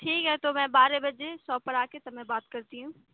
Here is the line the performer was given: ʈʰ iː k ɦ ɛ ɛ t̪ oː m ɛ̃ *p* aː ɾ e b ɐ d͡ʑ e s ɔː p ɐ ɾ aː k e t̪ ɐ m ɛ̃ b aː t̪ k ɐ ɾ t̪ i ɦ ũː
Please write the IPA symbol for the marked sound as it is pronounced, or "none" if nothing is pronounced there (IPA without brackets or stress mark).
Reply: b